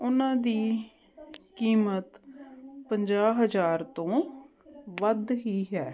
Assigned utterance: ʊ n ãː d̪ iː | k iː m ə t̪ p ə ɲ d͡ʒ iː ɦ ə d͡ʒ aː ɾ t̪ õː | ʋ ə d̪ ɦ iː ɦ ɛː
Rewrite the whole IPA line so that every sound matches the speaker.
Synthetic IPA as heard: ʊ n ãː d̪ iː | k iː m ə t̪ p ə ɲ d͡ʒ aː ɦ ə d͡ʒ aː ɾ t̪ õː | ʋ ə d̪ ɦ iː ɦ ɛː